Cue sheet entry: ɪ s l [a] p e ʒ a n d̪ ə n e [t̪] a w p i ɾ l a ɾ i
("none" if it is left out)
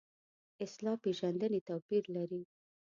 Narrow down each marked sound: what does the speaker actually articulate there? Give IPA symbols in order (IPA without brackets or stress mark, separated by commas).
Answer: ɑ, t̪